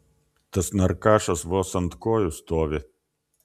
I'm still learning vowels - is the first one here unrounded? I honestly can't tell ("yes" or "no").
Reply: yes